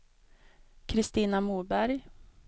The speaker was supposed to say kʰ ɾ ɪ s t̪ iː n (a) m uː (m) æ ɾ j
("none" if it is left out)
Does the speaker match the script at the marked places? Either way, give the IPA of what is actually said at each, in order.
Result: a, b

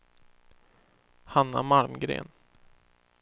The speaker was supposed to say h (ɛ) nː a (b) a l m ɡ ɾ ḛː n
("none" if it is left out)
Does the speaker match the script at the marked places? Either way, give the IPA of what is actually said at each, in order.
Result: a, m

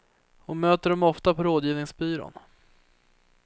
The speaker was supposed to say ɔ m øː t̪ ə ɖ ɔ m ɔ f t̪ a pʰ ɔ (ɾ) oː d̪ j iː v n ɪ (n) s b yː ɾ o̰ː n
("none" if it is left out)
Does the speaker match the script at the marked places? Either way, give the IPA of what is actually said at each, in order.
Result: ɾ, ŋ

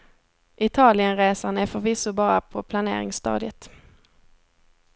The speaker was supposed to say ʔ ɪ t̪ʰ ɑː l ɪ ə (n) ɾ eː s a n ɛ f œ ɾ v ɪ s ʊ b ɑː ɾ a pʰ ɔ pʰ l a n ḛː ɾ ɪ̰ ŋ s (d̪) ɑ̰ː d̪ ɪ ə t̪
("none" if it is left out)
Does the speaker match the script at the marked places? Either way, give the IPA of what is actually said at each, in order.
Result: n, t̪

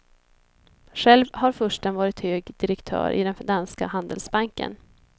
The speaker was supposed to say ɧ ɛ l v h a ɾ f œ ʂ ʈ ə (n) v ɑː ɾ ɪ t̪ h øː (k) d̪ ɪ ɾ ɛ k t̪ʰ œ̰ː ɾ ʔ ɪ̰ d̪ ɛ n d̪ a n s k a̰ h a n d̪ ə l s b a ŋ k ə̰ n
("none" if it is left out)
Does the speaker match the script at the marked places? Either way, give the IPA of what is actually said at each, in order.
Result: n, ɡ

